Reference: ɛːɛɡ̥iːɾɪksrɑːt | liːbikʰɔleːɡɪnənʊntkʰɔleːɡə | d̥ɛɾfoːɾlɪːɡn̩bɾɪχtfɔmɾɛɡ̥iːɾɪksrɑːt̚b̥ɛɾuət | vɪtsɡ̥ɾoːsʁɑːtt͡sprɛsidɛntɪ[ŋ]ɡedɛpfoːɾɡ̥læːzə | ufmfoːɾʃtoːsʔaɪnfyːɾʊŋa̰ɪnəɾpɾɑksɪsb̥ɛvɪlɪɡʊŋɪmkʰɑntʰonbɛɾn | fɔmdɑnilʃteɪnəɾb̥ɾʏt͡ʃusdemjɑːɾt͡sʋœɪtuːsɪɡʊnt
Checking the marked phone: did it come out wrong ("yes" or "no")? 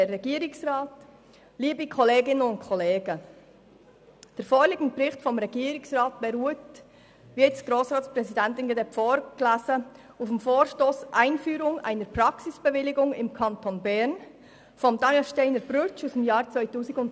yes